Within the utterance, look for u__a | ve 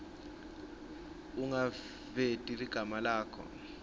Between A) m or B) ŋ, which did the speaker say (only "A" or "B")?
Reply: B